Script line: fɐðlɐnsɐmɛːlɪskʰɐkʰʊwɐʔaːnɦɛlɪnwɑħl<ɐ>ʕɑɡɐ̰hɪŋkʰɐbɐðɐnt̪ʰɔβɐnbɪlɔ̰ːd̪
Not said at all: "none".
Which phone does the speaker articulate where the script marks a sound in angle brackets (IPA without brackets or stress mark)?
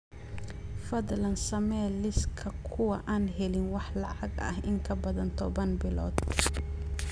ɑ